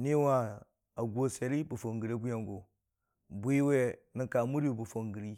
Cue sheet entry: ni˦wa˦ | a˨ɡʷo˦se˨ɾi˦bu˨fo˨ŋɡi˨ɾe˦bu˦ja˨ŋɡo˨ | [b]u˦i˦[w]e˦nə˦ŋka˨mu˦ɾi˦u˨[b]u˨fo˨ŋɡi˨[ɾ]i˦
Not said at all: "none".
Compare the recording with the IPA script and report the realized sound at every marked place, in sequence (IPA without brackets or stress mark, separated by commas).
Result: b, w, b, ɾ